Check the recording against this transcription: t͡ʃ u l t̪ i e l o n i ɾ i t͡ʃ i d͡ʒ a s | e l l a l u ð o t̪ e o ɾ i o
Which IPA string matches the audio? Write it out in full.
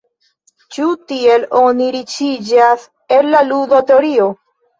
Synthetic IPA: t͡ʃ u t̪ i e l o n i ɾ i t͡ʃ i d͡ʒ a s | e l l a l u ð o t̪ e o ɾ i o